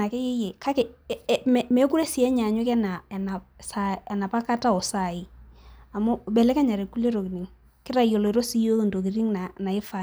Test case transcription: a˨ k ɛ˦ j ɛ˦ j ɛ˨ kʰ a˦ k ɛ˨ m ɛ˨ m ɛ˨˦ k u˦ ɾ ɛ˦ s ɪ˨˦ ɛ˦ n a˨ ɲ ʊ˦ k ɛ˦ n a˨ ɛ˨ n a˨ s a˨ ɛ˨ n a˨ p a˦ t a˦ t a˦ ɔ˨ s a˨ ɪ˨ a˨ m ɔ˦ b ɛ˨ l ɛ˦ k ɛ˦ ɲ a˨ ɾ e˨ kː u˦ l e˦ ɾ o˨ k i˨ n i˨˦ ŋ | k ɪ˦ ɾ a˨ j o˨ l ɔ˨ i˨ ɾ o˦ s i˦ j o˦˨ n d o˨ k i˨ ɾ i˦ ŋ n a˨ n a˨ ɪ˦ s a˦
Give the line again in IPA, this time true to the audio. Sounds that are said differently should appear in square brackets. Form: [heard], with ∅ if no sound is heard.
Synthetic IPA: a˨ k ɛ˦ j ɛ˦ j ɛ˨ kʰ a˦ k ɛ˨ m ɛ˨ m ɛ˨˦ k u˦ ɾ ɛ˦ s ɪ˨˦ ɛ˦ [ɲ] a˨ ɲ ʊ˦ k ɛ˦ n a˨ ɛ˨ n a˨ s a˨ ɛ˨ n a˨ p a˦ [k] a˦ t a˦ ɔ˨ s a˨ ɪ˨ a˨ m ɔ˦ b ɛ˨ l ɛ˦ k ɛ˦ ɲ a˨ ɾ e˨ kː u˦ l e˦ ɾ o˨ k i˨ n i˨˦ ŋ | k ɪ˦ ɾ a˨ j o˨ l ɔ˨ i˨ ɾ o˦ s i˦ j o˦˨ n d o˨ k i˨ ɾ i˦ ŋ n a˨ n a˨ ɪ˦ [f] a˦